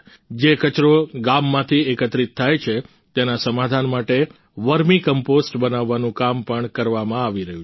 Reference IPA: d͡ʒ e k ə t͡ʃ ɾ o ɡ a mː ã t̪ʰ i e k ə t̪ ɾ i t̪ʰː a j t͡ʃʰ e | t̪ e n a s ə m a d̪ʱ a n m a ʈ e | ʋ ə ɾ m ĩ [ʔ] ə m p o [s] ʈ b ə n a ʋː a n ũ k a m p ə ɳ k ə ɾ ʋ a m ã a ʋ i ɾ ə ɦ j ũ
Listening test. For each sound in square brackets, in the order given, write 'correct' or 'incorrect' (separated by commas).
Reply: incorrect, correct